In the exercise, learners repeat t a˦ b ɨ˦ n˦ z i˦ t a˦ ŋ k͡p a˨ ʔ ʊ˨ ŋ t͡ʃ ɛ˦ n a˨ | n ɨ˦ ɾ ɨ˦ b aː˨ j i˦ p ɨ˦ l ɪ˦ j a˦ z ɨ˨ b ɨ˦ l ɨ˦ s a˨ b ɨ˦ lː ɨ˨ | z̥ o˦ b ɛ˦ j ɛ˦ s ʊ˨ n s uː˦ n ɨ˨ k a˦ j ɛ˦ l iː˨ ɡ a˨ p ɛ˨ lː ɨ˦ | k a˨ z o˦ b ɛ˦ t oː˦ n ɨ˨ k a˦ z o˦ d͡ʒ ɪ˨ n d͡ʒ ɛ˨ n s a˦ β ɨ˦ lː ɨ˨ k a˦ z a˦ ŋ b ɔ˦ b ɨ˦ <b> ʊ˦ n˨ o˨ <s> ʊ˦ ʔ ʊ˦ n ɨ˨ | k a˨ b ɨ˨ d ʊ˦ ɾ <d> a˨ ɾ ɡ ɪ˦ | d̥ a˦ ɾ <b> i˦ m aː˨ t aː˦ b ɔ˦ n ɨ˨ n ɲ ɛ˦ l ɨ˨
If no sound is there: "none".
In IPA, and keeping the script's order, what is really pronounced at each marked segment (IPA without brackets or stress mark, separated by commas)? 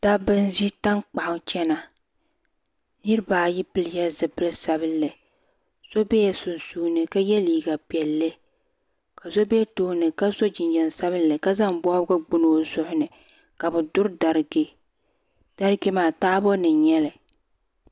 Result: ɡ͡b, z, d, ɡ